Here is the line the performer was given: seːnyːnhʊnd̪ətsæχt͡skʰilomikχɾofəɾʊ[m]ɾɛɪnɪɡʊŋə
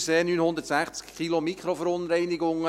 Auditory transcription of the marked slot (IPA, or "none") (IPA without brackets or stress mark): n